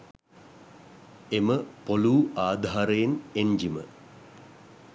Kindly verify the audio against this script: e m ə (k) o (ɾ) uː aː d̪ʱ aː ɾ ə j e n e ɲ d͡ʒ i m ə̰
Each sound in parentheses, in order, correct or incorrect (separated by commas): incorrect, incorrect